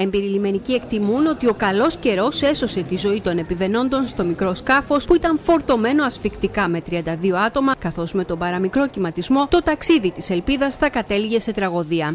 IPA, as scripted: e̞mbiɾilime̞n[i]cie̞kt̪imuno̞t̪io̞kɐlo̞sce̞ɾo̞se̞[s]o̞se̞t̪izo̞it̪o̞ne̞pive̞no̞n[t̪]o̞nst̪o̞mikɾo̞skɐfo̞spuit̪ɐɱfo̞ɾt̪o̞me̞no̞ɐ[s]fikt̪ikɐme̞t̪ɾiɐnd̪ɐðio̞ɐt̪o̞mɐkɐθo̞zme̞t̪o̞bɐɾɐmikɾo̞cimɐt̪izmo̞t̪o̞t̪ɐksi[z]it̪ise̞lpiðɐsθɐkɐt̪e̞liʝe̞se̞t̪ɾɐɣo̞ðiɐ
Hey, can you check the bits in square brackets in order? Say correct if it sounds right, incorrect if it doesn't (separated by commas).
correct, correct, incorrect, correct, incorrect